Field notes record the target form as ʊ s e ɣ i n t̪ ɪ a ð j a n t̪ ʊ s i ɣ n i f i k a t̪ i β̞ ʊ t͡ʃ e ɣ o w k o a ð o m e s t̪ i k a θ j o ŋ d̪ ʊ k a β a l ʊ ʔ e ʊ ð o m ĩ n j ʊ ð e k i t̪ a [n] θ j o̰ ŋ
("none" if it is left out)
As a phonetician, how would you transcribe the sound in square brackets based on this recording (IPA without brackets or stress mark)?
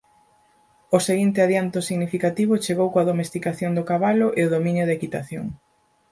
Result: none